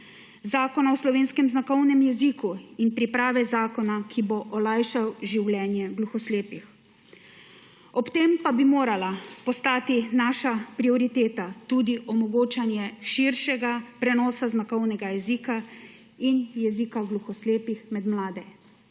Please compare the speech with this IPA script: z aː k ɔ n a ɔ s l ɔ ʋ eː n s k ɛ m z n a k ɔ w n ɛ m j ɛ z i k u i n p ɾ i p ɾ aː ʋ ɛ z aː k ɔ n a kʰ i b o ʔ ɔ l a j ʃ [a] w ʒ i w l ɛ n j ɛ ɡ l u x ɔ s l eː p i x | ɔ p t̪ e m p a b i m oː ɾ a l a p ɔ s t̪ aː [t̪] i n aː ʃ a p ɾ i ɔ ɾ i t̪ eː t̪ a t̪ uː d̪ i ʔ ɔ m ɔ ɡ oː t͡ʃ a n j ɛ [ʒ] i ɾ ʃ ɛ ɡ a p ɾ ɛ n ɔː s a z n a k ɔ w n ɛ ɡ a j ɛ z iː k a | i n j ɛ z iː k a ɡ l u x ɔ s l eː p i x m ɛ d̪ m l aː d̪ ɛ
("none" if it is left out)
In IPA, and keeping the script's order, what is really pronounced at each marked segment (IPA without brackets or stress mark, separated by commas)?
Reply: a, t̪, ʃ